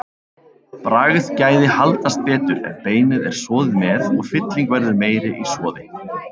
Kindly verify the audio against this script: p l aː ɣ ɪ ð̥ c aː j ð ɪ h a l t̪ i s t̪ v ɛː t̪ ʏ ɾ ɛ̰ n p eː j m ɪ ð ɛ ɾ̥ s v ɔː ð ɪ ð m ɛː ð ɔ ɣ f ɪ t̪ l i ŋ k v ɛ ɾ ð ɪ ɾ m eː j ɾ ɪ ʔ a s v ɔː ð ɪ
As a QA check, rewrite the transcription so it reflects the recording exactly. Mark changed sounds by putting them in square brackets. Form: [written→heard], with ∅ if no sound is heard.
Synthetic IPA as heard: p [l→ɾ] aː ɣ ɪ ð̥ c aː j ð ɪ h a l t̪ [i→a] s t̪ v ɛː t̪ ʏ ɾ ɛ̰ n p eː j [m→n] ɪ ð ɛ ɾ̥ s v ɔː ð ɪ ð m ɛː ð ɔ ɣ f ɪ t̪ l i ŋ k v ɛ ɾ ð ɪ ɾ m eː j ɾ ɪ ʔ [a→i] s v ɔː ð ɪ